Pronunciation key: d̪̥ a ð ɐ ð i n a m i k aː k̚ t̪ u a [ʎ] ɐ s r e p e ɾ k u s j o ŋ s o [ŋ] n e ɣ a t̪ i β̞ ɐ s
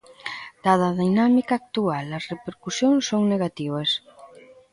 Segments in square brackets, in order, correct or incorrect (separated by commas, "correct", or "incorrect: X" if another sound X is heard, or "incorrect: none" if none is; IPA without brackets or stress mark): incorrect: l, correct